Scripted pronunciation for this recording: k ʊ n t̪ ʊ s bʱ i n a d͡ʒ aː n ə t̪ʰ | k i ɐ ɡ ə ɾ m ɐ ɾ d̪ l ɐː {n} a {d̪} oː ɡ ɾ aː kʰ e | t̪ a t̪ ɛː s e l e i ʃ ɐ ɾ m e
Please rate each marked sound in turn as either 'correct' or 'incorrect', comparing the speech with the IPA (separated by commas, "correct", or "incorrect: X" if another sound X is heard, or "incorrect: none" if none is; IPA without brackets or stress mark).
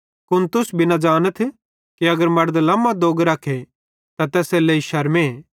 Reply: incorrect: m, correct